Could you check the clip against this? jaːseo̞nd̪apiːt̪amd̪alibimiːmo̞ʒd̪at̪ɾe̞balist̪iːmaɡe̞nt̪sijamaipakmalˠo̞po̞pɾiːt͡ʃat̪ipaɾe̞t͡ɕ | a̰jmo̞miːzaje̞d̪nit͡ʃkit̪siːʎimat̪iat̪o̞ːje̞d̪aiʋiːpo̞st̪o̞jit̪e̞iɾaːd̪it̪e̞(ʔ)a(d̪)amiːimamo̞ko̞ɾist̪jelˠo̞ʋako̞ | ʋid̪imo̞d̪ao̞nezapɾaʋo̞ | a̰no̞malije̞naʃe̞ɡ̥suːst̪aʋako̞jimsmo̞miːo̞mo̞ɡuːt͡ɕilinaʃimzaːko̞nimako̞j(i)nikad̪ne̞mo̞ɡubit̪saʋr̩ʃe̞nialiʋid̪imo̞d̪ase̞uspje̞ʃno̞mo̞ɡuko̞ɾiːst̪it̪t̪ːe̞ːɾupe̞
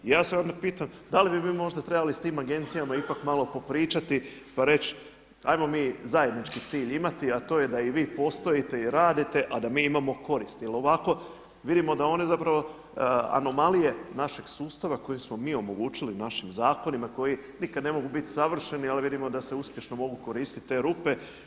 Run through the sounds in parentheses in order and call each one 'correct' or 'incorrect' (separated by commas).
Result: correct, correct, correct